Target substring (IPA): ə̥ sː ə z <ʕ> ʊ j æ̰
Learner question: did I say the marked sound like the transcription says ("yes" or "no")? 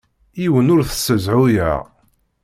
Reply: yes